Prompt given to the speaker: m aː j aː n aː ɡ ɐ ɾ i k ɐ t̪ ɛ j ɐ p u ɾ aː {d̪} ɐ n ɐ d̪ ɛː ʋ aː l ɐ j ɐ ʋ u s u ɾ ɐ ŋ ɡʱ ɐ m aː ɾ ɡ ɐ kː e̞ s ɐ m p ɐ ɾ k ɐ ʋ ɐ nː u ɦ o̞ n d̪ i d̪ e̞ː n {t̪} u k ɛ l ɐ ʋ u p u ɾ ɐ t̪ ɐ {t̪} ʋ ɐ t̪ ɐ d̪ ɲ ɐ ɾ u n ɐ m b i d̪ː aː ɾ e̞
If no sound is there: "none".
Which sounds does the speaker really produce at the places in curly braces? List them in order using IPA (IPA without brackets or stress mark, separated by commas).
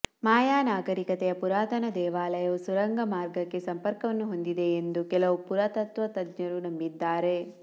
t̪, d̪, t̪